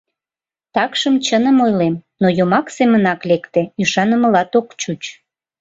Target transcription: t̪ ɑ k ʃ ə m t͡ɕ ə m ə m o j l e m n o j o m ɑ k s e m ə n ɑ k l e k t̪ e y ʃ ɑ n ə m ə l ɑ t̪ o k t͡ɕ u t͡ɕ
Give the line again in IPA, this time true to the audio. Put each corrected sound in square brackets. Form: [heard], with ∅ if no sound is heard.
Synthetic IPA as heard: t̪ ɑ k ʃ ə m t͡ɕ ə [n] ə m o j l e m n o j o m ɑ k s e m ə n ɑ k l e k t̪ e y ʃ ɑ n ə m ə l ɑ t̪ o k t͡ɕ u t͡ɕ

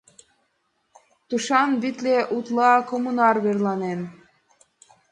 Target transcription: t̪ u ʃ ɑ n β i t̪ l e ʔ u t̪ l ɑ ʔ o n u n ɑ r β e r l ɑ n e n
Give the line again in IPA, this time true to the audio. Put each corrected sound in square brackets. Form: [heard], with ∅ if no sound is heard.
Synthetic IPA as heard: t̪ u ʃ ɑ n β i t̪ l e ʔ u t̪ l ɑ [k] o [m] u n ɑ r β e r l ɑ n e n

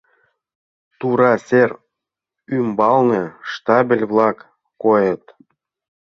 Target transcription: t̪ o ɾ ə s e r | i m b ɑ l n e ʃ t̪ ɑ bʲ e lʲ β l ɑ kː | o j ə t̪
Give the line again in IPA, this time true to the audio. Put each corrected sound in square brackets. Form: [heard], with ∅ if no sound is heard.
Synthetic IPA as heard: t̪ [u] ɾ [ɑ] s e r | [y] m b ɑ l n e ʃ t̪ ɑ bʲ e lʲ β l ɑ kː | o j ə t̪

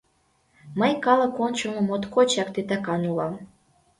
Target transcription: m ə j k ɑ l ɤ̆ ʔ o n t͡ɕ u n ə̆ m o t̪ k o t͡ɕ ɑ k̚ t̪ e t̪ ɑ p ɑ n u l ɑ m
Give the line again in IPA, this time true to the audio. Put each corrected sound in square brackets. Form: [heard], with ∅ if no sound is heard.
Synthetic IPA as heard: m ə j k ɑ l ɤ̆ [k] o n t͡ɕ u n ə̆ m o t̪ k o t͡ɕ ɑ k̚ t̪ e t̪ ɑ [k] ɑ n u l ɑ m

